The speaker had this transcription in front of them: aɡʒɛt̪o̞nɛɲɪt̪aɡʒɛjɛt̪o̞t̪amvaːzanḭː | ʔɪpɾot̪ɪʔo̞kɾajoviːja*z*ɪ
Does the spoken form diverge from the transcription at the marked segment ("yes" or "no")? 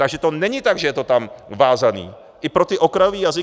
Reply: no